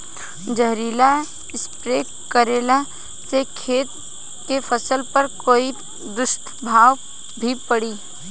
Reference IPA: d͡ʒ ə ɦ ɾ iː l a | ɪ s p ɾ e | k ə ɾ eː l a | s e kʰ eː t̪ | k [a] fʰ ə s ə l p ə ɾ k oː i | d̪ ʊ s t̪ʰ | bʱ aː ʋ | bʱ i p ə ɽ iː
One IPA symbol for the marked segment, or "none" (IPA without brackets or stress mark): e